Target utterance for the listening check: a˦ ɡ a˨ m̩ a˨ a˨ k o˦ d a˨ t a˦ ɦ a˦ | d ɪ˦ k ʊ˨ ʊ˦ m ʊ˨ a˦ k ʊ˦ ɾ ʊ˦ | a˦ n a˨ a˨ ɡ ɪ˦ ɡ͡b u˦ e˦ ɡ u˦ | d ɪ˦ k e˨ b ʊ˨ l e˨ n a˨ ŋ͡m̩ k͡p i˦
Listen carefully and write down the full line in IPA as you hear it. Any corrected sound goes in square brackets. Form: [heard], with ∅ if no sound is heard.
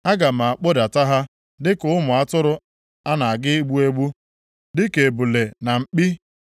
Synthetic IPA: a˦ ɡ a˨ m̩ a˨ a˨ [k͡p] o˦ d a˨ t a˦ ɦ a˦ | d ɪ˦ k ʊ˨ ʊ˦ m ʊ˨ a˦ [t] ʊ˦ ɾ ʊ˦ | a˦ n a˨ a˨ ɡ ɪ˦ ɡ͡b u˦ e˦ [ɡ͡b] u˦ | d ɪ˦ k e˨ b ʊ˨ l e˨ n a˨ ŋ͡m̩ k͡p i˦